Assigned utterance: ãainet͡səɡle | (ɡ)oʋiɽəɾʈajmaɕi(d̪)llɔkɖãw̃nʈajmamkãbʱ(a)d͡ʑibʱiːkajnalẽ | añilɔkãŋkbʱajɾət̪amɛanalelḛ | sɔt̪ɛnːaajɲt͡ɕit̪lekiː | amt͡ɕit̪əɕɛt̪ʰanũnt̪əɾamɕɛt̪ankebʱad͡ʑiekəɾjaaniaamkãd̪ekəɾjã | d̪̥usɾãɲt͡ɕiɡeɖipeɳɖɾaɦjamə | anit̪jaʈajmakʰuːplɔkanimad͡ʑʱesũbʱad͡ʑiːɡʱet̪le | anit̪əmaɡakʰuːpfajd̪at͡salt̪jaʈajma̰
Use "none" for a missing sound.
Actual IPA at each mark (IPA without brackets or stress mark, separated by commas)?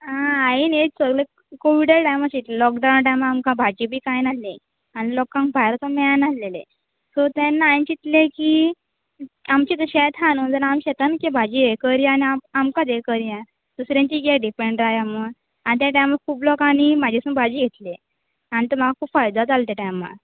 k, t̪, a